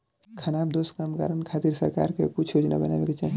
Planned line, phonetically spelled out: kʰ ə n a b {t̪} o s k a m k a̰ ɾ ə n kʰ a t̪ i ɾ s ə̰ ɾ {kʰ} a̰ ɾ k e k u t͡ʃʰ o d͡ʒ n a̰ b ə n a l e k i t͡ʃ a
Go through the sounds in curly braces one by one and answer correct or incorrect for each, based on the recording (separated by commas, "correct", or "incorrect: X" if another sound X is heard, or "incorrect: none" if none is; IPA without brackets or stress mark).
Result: incorrect: d̪, incorrect: k